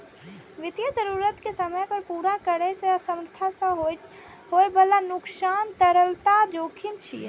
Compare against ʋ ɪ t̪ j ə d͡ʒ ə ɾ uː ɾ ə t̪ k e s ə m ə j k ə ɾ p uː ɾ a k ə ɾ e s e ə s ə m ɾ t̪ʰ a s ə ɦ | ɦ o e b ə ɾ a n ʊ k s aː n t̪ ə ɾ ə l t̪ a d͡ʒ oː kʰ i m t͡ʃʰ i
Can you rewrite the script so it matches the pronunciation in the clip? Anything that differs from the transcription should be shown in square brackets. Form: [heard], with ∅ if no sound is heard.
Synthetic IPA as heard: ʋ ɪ t̪ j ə d͡ʒ ə ɾ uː ɾ ə t̪ k e s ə m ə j [p] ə ɾ p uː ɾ a k ə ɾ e s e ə s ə m ɾ t̪ʰ a s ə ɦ | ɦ o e b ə [l] a n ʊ k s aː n t̪ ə ɾ ə l t̪ a d͡ʒ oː kʰ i m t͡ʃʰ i